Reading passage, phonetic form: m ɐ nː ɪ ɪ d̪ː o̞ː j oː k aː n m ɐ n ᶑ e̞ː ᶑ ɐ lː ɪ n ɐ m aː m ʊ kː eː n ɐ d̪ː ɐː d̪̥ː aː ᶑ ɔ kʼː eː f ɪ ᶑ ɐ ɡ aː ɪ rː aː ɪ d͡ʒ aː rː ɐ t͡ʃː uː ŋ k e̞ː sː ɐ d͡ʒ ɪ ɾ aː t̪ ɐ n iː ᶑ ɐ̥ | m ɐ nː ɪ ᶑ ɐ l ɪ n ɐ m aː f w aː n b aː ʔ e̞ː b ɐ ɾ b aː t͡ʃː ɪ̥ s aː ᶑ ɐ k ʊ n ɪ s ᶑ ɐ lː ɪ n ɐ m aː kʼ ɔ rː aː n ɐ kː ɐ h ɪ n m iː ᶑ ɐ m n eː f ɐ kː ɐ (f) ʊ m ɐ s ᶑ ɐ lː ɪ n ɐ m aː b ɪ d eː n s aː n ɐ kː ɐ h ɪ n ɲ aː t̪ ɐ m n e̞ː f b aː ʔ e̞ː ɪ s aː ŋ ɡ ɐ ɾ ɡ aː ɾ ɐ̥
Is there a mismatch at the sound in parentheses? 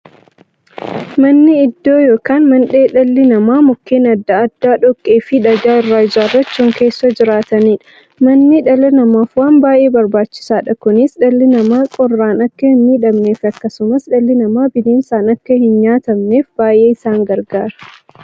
yes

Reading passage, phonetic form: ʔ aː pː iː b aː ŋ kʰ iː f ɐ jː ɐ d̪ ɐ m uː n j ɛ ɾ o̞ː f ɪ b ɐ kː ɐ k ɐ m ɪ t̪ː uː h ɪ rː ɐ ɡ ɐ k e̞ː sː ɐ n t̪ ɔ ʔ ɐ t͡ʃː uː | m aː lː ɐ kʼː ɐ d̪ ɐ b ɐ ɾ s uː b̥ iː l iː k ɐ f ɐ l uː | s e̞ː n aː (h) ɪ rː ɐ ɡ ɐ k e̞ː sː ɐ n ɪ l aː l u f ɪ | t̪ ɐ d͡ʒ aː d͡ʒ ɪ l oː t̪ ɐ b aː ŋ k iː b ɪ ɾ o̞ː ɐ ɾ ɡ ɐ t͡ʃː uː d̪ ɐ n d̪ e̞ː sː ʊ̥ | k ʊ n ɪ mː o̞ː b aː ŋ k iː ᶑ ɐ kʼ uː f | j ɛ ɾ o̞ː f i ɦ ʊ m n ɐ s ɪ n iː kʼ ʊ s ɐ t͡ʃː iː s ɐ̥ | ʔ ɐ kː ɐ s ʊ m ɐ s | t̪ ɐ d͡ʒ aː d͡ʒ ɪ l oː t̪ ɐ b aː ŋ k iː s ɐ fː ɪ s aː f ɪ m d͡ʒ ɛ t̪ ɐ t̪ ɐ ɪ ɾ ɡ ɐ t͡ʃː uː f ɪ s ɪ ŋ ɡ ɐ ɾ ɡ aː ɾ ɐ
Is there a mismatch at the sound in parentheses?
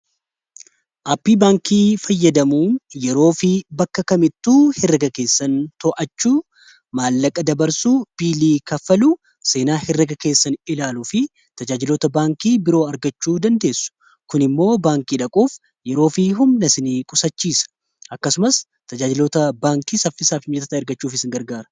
no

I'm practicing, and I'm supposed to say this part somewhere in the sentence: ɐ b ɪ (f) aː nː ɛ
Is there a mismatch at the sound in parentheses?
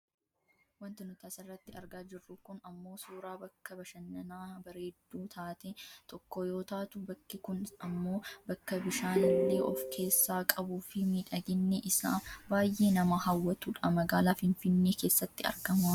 yes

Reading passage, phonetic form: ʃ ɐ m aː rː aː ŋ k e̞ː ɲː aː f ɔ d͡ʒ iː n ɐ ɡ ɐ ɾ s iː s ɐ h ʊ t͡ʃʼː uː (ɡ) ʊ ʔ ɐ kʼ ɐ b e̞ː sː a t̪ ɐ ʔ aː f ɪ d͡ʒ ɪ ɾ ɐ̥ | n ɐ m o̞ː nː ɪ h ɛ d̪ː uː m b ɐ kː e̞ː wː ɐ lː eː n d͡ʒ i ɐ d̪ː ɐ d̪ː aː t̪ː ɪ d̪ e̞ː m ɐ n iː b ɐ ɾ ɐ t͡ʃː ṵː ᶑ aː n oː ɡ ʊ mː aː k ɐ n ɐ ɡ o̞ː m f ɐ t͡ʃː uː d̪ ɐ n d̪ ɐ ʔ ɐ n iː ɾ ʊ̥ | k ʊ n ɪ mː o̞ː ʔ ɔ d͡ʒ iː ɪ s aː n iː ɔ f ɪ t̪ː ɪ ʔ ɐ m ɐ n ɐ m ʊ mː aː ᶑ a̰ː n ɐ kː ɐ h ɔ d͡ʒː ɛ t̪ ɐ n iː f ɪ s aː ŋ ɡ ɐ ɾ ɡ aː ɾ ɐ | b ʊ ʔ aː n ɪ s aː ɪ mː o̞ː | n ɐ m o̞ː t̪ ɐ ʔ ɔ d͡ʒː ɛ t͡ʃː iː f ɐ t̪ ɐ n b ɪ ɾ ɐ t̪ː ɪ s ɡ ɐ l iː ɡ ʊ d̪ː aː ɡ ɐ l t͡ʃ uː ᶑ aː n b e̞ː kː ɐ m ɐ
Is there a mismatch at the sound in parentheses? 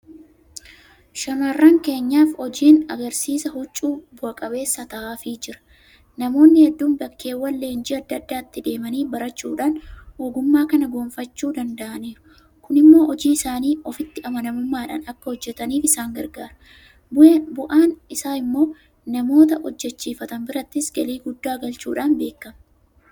yes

